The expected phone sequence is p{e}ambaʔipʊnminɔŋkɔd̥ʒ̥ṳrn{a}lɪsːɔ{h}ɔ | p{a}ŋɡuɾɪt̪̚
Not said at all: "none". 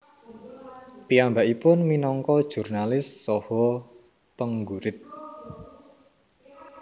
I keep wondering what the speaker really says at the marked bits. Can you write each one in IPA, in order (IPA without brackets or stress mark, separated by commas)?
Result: i, a, h, ə